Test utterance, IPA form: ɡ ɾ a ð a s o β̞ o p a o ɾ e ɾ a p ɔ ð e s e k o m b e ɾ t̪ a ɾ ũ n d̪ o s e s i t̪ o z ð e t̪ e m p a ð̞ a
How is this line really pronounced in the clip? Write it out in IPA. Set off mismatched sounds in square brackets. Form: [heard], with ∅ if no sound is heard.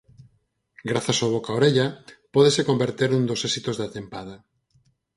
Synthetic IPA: ɡ ɾ a [θ] a s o β̞ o [k] a o ɾ e [ʎ] a p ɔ ð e s e k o m b e ɾ t̪ [e] ɾ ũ n d̪ o s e s i t̪ o z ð [a] t̪ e m p a ð̞ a

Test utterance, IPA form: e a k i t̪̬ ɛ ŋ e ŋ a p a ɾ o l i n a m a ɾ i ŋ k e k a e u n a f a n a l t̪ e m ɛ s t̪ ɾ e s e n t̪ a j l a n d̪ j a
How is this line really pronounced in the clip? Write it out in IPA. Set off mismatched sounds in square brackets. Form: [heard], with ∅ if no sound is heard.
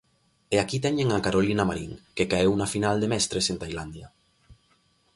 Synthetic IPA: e a k i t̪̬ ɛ [ɲ] e ŋ a [k] a ɾ o l i n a m a ɾ i ŋ k e k a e [w] n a f [i] n a l [d̪] e m ɛ s t̪ ɾ e s e n t̪ a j l a n d̪ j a

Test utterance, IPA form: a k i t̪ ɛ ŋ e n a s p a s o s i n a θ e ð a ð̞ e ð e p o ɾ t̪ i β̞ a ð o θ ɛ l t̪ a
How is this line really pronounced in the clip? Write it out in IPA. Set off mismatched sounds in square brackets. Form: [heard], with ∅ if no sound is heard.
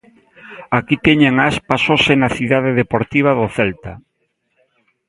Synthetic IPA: a k i t̪ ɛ [ɲ] e [ŋ] a s p a s o s [e] n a θ [i] ð a ð̞ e ð e p o ɾ t̪ i β̞ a ð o θ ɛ l t̪ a

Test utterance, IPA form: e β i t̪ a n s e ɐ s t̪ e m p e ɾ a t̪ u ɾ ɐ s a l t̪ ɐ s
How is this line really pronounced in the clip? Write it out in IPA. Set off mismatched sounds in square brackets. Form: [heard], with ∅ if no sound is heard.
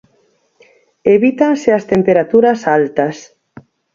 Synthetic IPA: e β i t̪ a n s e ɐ s t̪ e m p e ɾ a t̪ u ɾ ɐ s a l t̪ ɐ s

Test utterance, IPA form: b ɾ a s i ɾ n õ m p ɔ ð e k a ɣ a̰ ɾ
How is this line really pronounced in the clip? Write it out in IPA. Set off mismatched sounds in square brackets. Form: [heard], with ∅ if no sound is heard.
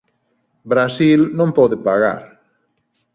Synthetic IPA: b ɾ a s i [l] n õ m p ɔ ð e [p] a ɣ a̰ ɾ

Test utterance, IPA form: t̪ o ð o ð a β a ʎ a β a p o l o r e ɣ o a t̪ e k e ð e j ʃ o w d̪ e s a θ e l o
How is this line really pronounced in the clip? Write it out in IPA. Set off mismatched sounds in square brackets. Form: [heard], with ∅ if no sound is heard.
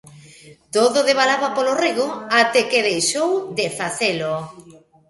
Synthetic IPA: t̪ o ð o ð [e] β a [l] a β a p o l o r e ɣ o a t̪ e k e ð e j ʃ o w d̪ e [f] a θ e l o

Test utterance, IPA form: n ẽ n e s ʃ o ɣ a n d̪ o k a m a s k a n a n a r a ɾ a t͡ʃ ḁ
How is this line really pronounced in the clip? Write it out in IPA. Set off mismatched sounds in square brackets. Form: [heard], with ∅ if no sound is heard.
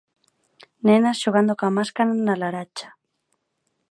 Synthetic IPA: n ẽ n [a] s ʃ o ɣ a n d̪ o k a m a s k a n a n a [l] a ɾ a t͡ʃ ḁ

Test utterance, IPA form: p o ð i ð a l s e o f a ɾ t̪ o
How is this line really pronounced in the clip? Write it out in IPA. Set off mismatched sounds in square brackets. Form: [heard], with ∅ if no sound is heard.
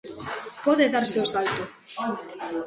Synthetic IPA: p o ð [e] ð a [ɾ] s e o [s] a [l] t̪ o

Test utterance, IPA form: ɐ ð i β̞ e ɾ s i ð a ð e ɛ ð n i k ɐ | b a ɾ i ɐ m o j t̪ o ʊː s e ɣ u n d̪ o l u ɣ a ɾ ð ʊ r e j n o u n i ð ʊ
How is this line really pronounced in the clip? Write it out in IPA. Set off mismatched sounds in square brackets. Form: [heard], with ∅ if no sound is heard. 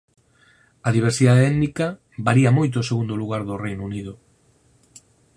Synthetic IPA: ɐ ð i β̞ e ɾ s i ð a ð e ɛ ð n i k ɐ | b a ɾ i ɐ m o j t̪ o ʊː s e ɣ u n d̪ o l u ɣ a ɾ ð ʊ r e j n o u n i ð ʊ

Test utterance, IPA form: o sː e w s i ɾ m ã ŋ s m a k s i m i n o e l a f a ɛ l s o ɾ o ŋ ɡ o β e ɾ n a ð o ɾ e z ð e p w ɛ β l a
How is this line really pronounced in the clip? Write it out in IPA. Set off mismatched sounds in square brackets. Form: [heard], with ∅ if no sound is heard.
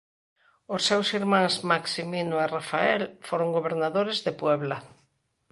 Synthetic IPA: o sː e w s i ɾ m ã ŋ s m a k s i m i n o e [r] a f a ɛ l [f] o ɾ o ŋ ɡ o β e ɾ n a ð o ɾ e z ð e p w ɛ β l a

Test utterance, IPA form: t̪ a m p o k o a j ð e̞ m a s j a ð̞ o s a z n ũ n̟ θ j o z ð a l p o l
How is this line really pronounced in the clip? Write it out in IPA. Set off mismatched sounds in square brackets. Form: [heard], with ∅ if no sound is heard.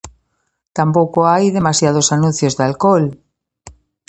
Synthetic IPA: t̪ a m p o k o a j ð e̞ m a s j a ð̞ o s a [∅] n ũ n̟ θ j o z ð a l [k] o l

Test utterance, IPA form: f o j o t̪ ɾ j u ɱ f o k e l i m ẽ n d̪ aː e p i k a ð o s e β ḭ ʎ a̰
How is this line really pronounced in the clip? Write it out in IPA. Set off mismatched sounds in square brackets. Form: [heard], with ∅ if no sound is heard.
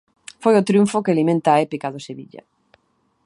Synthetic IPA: f o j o t̪ ɾ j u ɱ f o k e l i m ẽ n [t̪] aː e p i k a ð o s e β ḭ ʎ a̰

